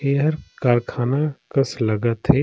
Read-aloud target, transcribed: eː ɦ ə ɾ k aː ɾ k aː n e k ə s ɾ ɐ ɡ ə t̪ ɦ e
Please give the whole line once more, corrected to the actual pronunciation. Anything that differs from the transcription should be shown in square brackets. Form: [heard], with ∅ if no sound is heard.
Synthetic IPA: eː ɦ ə ɾ k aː ɾ [kʰ] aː n [a] k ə s [l] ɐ ɡ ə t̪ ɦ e